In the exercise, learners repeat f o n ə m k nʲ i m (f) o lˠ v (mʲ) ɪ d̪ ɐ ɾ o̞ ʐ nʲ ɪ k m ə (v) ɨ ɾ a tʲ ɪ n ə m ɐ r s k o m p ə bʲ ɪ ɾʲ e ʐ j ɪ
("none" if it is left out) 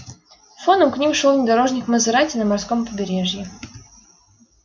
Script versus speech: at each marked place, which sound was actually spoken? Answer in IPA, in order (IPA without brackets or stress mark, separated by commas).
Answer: ʂ, nʲ, z